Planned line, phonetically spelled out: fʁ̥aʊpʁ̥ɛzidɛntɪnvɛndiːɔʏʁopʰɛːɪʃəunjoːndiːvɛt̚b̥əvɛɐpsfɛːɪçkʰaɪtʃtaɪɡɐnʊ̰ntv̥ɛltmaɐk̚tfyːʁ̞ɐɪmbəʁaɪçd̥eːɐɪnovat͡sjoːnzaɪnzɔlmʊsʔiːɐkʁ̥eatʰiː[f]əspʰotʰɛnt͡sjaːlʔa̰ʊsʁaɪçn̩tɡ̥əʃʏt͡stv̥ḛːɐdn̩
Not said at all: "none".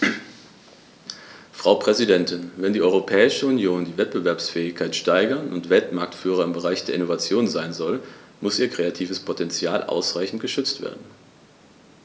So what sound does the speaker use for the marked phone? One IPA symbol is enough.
v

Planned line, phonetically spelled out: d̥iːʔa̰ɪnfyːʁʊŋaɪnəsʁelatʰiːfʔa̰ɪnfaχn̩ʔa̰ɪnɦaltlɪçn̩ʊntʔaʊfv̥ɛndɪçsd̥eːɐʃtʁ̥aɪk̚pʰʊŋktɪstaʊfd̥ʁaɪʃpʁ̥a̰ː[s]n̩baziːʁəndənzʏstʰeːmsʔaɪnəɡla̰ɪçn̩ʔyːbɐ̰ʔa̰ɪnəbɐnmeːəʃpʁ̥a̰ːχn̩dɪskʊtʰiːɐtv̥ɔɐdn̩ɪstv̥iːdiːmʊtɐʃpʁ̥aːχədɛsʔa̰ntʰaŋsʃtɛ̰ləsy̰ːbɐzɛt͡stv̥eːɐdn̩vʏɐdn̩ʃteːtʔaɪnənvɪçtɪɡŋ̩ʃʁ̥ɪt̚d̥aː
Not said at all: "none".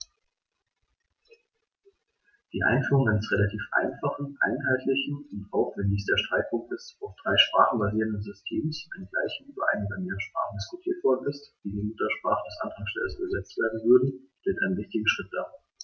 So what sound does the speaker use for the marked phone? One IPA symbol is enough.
χ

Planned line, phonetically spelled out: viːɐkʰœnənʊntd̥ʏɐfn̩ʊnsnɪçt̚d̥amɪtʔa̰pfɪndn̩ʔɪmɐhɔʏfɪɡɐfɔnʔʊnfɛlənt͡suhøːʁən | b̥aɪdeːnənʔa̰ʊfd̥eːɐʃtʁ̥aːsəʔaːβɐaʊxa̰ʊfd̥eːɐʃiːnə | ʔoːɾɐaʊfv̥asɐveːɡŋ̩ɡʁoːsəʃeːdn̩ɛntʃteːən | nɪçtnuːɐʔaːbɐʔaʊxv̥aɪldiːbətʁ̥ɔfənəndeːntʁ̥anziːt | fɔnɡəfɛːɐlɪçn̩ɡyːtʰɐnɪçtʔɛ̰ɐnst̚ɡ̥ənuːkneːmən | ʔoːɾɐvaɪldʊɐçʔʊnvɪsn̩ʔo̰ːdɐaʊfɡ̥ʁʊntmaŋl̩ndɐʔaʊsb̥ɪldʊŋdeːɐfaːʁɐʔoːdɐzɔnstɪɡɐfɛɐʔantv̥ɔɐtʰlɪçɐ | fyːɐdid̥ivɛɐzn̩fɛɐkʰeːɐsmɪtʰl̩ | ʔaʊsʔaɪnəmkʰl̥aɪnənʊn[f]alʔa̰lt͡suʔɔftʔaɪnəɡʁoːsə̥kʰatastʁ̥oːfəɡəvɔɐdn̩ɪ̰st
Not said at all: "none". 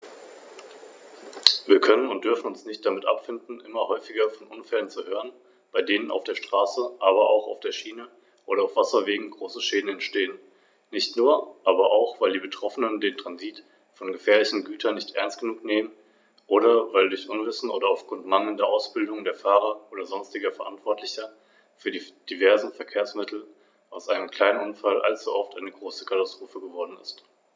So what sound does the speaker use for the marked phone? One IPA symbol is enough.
f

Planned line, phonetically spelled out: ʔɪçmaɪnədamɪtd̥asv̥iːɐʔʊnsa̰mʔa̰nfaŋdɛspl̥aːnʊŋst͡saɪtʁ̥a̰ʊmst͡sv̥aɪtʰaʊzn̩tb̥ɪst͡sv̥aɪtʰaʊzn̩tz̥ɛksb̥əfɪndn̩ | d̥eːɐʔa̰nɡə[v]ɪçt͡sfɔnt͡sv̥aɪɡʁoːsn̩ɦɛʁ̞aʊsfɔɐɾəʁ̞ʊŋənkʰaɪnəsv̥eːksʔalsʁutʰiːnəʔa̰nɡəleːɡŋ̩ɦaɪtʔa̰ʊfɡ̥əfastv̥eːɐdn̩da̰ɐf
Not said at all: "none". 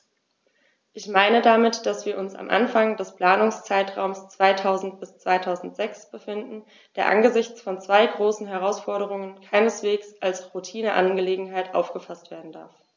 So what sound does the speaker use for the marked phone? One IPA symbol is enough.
z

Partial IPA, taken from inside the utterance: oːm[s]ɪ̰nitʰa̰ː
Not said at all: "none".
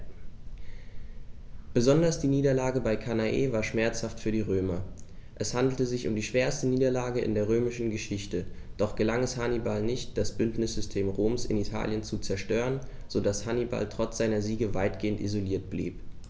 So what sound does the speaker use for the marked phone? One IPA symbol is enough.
s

